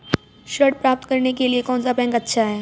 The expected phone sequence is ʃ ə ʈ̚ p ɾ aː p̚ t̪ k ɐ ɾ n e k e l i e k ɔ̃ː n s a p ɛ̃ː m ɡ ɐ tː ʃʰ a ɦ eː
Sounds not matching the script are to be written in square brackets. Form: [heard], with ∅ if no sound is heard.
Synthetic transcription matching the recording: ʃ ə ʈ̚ p ɾ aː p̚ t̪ k ɐ ɾ n e k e l i e k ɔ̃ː n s a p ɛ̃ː [ŋ] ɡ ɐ tː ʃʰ a ɦ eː